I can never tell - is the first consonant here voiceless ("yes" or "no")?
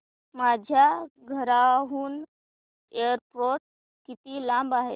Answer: no